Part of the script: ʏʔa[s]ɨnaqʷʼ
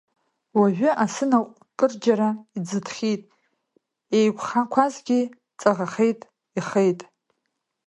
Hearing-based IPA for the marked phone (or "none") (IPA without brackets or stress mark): s